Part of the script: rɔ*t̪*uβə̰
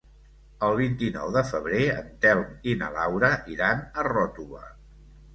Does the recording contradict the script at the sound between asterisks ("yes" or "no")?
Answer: no